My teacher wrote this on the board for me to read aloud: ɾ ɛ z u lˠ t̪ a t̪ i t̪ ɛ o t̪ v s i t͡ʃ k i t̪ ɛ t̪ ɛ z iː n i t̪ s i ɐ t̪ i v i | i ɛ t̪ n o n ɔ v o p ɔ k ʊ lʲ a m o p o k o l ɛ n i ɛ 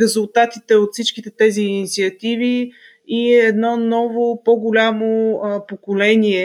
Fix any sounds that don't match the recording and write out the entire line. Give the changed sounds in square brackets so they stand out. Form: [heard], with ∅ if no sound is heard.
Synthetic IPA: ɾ ɛ z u lˠ t̪ a t̪ i t̪ ɛ o t̪ [f] s i t͡ʃ k i t̪ ɛ t̪ ɛ z iː n i t̪ s i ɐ t̪ i v i | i ɛ [d̪] n [ɔ] n ɔ v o p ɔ [ɡ] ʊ lʲ a m o p o k o l ɛ n i ɛ